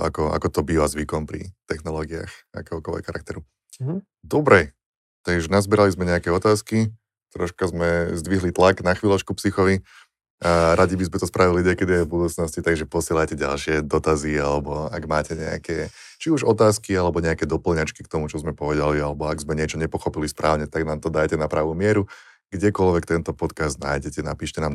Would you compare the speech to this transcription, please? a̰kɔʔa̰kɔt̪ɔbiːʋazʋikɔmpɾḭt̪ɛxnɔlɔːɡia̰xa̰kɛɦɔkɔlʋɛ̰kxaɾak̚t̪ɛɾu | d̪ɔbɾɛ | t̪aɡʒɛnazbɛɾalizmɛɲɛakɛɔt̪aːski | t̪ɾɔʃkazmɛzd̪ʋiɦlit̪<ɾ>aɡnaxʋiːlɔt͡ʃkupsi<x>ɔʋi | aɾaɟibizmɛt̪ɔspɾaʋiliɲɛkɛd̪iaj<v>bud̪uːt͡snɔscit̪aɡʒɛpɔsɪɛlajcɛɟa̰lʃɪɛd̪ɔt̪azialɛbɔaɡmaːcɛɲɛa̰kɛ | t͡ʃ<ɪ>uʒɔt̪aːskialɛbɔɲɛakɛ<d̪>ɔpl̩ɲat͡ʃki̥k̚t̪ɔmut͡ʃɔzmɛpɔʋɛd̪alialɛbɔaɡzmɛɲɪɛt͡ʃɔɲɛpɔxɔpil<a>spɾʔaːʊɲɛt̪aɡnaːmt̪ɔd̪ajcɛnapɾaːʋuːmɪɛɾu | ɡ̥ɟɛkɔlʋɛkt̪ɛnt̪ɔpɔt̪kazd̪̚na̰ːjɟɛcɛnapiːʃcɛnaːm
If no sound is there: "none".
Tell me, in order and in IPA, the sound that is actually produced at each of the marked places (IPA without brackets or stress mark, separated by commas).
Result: l, x, v, i, d̪, i